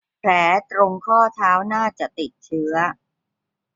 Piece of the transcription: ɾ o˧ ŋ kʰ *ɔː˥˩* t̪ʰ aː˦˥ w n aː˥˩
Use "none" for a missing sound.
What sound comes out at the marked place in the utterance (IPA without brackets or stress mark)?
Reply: ɔː˥˩